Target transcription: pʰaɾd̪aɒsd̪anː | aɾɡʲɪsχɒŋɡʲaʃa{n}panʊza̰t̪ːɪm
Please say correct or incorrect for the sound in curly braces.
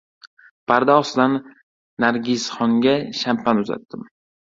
incorrect